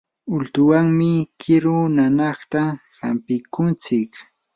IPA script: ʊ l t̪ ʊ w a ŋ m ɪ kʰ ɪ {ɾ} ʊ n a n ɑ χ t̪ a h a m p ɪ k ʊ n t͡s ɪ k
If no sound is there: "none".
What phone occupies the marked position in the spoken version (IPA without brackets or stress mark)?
ɾ